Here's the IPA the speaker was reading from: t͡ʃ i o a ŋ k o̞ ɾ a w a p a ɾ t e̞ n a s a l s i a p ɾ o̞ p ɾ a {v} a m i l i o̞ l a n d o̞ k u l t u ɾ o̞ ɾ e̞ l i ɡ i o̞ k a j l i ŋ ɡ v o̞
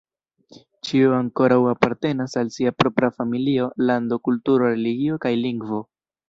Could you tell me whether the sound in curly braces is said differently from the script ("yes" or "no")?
yes